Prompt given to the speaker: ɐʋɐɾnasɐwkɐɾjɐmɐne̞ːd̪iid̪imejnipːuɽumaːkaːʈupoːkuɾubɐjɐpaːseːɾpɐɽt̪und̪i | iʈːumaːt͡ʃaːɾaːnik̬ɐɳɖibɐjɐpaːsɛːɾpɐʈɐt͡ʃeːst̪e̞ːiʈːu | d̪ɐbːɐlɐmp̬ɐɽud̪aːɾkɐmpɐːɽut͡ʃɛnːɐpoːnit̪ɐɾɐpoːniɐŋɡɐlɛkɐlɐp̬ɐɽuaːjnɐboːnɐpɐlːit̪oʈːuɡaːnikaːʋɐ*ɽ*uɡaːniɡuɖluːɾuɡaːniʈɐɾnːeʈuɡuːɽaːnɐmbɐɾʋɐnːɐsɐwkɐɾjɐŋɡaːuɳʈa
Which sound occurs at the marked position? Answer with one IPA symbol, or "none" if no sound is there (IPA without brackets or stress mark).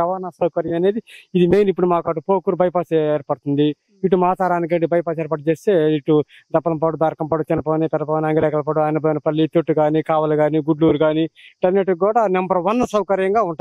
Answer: l